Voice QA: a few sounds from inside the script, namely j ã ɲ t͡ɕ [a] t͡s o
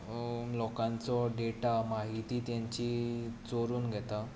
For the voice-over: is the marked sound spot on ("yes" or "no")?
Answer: no